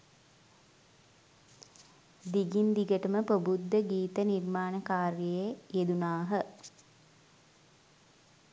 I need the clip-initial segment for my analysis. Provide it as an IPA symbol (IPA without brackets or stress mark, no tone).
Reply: d̪